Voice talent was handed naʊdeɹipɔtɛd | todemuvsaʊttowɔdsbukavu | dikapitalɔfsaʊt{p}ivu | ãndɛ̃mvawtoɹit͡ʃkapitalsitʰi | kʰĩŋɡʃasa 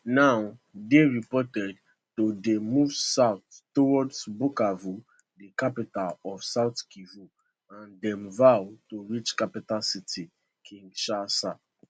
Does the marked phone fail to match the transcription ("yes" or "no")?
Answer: yes